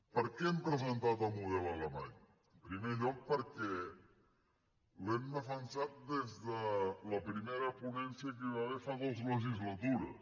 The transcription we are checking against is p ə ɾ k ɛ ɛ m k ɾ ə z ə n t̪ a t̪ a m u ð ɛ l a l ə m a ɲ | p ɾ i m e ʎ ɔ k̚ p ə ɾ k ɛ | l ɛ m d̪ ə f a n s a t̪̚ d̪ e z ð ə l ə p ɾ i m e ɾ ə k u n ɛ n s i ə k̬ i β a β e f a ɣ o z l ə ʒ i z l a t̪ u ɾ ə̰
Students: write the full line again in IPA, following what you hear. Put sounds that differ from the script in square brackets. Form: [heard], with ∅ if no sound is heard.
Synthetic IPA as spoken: p ə ɾ k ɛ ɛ m [p] ɾ ə z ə n t̪ a t̪ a m u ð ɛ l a l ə m a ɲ | p ɾ i m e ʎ ɔ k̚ p ə ɾ k ɛ | l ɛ m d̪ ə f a n s a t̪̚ d̪ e z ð ə l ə p ɾ i m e ɾ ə [p] u n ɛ n s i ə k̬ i β a β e f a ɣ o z l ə ʒ i z l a t̪ u ɾ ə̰